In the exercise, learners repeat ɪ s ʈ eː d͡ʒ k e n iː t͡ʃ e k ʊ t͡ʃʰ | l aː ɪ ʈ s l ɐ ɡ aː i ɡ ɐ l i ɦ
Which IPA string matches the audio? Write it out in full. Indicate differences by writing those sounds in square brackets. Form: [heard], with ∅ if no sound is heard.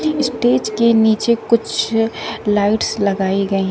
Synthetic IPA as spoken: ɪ s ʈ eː d͡ʒ k e n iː t͡ʃ e k ʊ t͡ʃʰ | l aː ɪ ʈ s l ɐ ɡ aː i ɡ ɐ [∅] i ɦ